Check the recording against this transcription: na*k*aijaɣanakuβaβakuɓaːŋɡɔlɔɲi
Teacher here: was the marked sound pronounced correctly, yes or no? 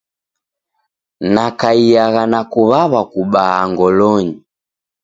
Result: yes